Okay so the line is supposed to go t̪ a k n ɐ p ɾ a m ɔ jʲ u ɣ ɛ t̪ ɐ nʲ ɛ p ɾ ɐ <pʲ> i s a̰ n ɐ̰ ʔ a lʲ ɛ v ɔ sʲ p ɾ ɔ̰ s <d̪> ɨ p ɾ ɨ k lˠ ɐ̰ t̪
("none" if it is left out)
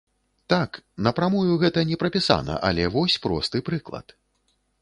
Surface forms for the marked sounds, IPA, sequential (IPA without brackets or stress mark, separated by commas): pʲ, t̪